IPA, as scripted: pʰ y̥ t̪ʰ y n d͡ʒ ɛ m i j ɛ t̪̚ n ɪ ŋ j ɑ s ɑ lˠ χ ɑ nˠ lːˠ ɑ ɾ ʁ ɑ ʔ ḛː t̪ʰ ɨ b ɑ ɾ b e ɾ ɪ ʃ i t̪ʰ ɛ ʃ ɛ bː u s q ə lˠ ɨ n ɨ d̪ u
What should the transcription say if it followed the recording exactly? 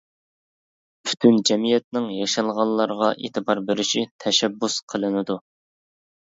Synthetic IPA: pʰ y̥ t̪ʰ y n d͡ʒ ɛ m i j ɛ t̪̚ n ɪ ŋ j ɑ ʃ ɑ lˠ ʁ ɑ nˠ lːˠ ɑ ɾ ʁ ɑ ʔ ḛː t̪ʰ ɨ b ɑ ɾ b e ɾ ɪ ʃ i t̪ʰ ɛ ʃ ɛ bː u s qʰ ə lˠ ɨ n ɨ d̪ u